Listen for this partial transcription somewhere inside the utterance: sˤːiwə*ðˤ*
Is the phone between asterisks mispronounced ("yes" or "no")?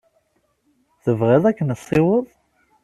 no